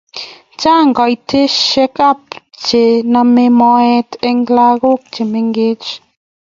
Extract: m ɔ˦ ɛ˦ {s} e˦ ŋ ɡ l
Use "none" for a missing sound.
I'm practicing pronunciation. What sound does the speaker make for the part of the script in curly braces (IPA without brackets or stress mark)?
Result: t